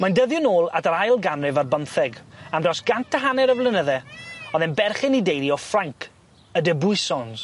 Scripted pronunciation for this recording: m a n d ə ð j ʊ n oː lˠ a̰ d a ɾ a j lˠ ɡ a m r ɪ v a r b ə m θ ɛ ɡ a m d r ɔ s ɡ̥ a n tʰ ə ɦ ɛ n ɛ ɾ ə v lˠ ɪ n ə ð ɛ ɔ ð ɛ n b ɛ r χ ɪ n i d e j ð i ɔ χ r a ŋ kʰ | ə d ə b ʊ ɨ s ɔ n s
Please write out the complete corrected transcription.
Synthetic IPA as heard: m a n d ə ð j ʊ n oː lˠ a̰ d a ɾ a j lˠ ɡ a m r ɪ v a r b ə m θ ɛ ɡ a m d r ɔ s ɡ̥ a n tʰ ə ɦ a n ɛ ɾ ə v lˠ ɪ n ə ð ɛ ɔ ð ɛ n b ɛ r χ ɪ n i d e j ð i ɔ f r a ŋ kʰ | ə d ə b ʊ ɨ s ɔ n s

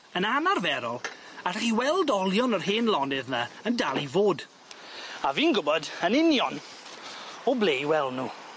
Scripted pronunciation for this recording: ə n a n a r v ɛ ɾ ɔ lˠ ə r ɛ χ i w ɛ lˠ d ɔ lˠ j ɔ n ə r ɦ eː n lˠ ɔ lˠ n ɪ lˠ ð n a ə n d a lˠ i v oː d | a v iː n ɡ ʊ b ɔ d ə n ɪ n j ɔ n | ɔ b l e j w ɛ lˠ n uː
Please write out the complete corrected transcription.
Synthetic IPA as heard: ə n a n a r v ɛ ɾ ɔ lˠ a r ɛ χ i w ɛ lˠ d ɔ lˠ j ɔ n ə r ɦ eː n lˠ ɔ n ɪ ð n a ə n d a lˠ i v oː d | a v iː n ɡ ʊ b ɔ d ə n ɪ n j ɔ n | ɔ b l e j w ɛ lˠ n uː

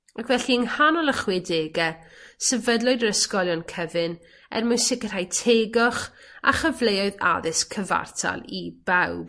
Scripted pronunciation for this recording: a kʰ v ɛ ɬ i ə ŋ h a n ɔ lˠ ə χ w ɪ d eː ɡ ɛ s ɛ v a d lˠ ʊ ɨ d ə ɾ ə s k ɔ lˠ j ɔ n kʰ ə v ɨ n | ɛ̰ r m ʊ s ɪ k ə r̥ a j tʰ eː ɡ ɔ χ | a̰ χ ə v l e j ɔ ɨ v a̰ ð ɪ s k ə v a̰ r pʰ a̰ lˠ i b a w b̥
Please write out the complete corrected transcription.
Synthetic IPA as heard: a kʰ v ɛ ɬ i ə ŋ h a n ɔ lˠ ə χ w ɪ d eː ɡ ɛ s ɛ v ə d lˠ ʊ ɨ d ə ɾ ə s k ɔ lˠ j ɔ n kʰ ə v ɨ n | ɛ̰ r m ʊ s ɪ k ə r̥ a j tʰ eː ɡ ɔ χ | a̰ χ ə v l e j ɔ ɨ ð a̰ ð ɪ s kʰ ə v a̰ r tʰ a̰ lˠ i b a w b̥

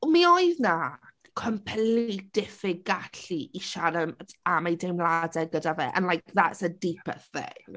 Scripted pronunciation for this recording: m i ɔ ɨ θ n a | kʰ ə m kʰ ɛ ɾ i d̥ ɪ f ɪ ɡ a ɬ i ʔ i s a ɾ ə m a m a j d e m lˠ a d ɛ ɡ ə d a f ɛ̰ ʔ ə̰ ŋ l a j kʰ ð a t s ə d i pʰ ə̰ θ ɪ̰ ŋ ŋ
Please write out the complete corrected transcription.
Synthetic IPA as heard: m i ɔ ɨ ð n a | kʰ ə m pʰ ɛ l i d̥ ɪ f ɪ ɡ a ɬ i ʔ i ʃ a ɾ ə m a m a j d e m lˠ a d ɛ ɡ ə d a v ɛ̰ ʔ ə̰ n l a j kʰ ð a t s ə d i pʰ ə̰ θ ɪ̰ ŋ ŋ

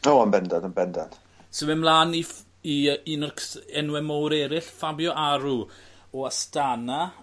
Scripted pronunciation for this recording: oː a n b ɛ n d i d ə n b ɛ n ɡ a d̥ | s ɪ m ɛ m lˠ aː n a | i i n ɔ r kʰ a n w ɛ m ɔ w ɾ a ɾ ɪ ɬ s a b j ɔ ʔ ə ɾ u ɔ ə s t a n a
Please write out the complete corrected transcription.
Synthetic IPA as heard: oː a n b ɛ n d a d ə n b ɛ n d a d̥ | s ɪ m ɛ m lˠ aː n i | i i n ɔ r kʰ ɛ n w ɛ m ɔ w ɾ ɛ ɾ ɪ ɬ f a b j ɔ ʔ a ɾ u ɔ a s t a n a

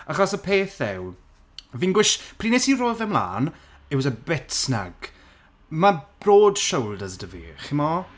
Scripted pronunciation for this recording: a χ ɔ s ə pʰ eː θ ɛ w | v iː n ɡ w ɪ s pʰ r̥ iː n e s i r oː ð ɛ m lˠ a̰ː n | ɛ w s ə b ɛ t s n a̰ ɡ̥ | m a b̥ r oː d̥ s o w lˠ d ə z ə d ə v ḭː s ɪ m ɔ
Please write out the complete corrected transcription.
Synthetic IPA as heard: a χ ɔ s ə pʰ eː θ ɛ w | v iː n ɡ w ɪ ʃ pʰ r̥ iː n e s i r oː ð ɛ m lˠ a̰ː n | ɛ w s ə b ɛ t s n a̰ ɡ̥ | m a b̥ r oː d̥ ʃ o w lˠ d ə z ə d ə v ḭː χ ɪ m ɔ

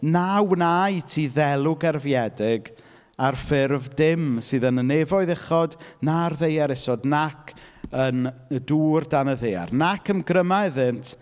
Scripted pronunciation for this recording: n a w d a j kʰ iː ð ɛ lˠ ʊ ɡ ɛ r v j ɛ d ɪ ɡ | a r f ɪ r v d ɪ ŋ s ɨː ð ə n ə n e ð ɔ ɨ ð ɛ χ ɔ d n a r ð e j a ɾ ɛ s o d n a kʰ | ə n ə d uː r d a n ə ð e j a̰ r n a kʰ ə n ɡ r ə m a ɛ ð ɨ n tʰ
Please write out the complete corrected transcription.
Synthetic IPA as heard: n a w n a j tʰ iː ð ɛ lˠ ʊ ɡ ɛ r v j ɛ d ɪ ɡ | a r f ɪ r v d ɪ m s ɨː ð ə n ə n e v ɔ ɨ ð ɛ χ ɔ d n a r ð e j a ɾ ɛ s ɔ d n a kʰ | ə n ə d uː r d a n ə ð e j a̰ r n a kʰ ə n ɡ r ə m a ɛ ð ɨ n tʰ

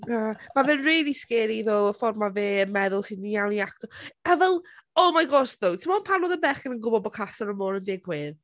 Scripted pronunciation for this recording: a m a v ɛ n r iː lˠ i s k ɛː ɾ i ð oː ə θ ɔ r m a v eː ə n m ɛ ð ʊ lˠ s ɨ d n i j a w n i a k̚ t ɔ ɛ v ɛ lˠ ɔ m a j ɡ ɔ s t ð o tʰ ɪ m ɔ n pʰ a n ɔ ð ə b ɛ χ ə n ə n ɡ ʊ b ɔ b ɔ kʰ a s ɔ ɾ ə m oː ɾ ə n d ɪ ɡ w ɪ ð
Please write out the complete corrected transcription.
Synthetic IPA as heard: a m a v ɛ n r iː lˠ i s k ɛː ɾ i ð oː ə f ɔ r m a v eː ə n m ɛ ð ʊ lˠ s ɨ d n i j a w n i a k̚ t ɔ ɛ v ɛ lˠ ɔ m a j ɡ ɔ s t ð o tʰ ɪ m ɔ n pʰ a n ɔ ð ə b ɛ χ ə n ə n ɡ ʊ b ɔ b ɔ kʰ a s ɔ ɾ ə m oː ɾ ə n d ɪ ɡ w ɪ ð

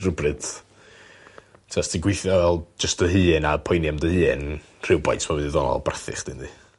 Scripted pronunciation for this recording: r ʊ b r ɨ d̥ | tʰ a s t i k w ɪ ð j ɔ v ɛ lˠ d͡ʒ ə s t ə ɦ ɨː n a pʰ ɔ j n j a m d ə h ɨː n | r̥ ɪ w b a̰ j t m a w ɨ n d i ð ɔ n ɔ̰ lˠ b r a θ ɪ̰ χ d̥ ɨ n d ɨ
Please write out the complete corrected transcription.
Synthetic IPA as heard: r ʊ b r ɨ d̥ | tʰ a s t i ɡ w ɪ θ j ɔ v ɛ lˠ d͡ʒ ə s t ə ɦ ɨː n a pʰ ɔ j n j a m d ə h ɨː n | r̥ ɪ w b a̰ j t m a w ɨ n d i ð ɔ n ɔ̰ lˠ b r a θ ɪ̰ χ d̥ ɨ n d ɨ

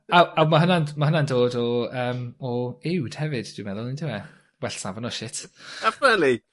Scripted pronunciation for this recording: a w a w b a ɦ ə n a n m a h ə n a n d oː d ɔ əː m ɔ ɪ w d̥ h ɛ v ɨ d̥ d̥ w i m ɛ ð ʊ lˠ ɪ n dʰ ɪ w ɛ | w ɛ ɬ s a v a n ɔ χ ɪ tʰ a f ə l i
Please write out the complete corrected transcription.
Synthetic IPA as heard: a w a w m a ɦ ə n a n m a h ə n a n d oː d ɔ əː m ɔ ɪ w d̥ h ɛ v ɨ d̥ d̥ w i m ɛ ð ʊ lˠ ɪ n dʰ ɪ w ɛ | w ɛ ɬ s a v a n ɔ ʃ ɪ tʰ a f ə l i

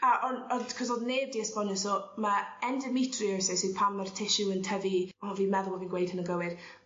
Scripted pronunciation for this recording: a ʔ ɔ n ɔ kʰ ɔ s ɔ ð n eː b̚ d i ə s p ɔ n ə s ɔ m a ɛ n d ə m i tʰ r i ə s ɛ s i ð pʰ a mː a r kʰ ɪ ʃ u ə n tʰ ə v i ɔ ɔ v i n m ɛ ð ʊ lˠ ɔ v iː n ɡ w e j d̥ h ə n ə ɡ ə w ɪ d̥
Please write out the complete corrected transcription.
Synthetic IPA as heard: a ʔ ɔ n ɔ kʰ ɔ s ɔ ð n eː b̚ d i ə s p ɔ n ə s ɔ m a ɛ n d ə m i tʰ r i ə s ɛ s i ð pʰ a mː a r tʰ ɪ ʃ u ə n tʰ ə v i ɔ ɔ v i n m ɛ ð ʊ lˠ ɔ v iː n ɡ w e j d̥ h ə n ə ɡ ə w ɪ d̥

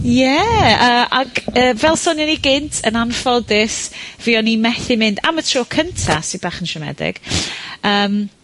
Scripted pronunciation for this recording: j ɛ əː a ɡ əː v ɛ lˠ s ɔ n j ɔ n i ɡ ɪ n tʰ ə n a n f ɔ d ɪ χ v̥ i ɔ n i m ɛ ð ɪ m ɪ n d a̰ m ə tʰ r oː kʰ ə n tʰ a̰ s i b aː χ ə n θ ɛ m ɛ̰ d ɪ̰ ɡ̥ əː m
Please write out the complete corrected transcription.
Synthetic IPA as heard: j ɛ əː a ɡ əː v ɛ lˠ s ɔ n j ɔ n i ɡ ɪ n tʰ ə n a n f ɔ d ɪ s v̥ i ɔ n i m ɛ θ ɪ m ɪ n d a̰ m ə tʰ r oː kʰ ə n tʰ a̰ s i b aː χ ə n ʃ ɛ m ɛ̰ d ɪ̰ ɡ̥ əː m

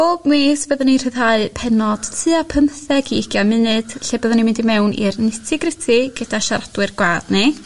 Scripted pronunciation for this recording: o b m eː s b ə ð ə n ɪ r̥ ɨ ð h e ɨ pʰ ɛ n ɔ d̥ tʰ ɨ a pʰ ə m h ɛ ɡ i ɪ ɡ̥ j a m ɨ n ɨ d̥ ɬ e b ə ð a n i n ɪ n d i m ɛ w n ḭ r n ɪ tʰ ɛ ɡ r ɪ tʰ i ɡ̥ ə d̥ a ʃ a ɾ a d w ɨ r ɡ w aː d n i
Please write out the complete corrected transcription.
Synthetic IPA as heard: o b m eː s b ə ð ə n i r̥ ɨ ð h a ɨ pʰ ɛ n ɔ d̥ tʰ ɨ a pʰ ə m θ ɛ ɡ i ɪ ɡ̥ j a m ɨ n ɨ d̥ ɬ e b ə ð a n i m ɪ n d i m ɛ w n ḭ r n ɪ tʰ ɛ ɡ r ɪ tʰ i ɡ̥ ə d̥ a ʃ a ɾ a d w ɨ r ɡ w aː d n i

